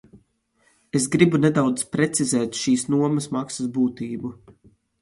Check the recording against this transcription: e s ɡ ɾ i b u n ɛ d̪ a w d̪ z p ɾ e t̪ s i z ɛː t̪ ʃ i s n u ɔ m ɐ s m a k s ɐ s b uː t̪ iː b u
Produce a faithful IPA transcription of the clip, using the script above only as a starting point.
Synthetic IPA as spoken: e s ɡ ɾ i b u n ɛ d̪ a w d̪ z p ɾ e t̪ s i z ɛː t̪ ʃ iː s n u ɔ m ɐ s m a k s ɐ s b uː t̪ iː b u